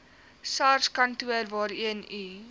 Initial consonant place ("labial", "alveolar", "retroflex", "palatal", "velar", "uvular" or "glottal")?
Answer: alveolar